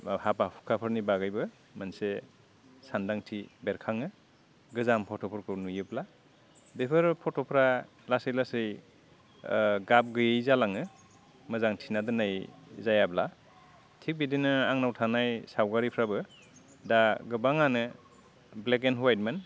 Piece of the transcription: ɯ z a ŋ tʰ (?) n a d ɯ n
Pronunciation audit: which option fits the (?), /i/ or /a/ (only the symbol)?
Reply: i